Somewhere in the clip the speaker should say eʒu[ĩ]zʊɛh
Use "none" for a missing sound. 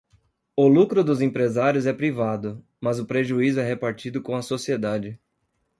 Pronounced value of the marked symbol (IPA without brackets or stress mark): i